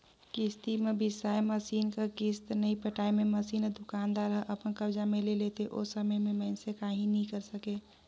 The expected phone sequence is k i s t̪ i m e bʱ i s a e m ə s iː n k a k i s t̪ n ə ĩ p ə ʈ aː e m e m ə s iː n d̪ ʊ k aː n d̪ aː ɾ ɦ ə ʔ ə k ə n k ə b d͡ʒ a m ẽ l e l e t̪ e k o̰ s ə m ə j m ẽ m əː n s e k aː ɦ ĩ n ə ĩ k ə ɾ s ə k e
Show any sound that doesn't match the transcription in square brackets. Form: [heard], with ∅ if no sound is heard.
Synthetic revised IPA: k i s t̪ i m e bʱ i s a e m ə s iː n k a k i s t̪ n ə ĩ p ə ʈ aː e m e m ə s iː n d̪ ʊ k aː n d̪ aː ɾ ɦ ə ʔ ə [p] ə n k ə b d͡ʒ a m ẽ l e l e t̪ e [ʔ] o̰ s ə m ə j m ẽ m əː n s e k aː ɦ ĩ n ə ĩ k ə ɾ s ə k e